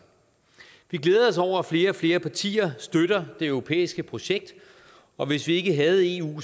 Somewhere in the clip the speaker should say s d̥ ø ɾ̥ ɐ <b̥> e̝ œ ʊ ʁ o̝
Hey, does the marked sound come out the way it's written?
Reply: no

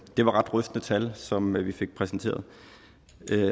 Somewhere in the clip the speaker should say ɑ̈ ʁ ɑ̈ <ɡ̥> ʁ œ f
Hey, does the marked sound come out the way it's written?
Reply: no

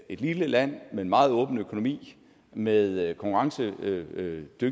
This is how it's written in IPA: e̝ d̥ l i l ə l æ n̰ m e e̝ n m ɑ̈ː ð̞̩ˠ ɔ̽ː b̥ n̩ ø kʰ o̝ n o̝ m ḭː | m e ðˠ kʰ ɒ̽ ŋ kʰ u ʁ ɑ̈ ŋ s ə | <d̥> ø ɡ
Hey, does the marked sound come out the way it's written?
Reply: yes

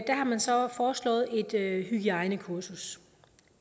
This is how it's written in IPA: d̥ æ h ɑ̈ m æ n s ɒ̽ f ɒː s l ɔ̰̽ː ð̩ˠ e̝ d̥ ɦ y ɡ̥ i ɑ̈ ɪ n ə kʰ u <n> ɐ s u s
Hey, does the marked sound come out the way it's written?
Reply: no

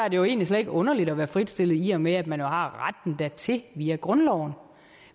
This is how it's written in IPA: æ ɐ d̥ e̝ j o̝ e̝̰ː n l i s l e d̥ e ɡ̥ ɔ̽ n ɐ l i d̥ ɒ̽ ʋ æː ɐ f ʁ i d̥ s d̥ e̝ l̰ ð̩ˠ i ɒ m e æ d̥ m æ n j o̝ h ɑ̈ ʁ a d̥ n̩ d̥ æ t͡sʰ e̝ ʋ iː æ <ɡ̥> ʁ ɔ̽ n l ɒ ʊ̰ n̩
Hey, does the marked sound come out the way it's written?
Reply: yes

